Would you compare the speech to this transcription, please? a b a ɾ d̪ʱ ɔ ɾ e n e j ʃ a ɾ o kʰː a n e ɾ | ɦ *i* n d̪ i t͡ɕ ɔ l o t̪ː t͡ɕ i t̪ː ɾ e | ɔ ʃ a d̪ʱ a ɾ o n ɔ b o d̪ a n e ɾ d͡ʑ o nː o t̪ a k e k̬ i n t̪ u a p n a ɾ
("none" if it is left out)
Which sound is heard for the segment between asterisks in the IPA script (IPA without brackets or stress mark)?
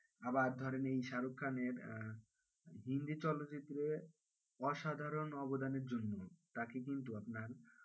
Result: i